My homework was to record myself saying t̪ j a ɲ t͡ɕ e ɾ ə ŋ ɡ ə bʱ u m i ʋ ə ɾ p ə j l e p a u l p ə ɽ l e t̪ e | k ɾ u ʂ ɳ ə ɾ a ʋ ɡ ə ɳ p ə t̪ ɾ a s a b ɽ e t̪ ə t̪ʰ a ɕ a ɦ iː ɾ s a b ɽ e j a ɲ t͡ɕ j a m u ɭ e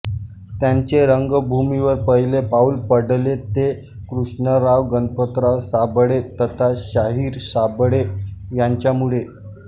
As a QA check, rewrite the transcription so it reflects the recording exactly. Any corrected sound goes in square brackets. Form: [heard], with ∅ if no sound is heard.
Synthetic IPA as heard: t̪ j a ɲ t͡ɕ e ɾ ə ŋ ɡ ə bʱ u m i ʋ ə ɾ p ə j l e p a u l p ə ɽ l e t̪ e | k ɾ u ʂ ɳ ə ɾ a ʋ ɡ ə [n] p ə t̪ ɾ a s a b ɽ e t̪ ə t̪ʰ a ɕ a ɦ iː ɾ s a b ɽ e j a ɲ t͡ɕ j a m u ɭ e